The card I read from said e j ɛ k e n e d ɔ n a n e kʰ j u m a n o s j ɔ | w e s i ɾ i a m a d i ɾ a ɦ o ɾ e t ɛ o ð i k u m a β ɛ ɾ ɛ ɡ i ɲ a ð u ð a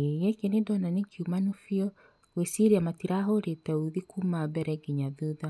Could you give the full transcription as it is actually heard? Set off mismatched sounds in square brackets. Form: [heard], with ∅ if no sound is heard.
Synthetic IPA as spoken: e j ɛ k e n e d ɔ n a n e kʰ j u m a n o [f] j ɔ | w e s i ɾ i a m a [t] i ɾ a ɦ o ɾ e t ɛ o ð i k u m a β ɛ ɾ ɛ ɡ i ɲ a ð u ð a